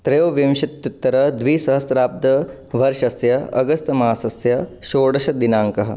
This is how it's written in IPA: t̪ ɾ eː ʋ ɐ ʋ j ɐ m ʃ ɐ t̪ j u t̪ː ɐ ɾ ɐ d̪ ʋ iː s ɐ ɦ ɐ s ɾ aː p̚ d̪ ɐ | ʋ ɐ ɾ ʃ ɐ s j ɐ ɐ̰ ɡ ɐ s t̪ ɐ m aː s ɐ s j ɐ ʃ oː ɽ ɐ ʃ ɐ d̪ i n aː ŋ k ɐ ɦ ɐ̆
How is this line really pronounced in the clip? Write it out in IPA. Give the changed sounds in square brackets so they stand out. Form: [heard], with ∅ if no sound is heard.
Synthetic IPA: t̪ ɾ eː ʋ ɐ ʋ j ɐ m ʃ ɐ t̪ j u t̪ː ɐ ɾ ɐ d̪ ʋ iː s ɐ ɦ ɐ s ɾ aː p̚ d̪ ɐ | ʋ ɐ ɾ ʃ ɐ s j ɐ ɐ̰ ɡ ɐ s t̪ ɐ m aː s ɐ s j ɐ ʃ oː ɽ ɐ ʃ ɐ d̪ i n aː ŋ k ɐ ɦ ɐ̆